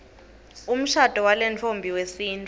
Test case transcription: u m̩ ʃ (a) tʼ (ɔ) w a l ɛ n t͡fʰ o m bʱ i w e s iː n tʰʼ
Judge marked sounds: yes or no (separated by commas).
yes, yes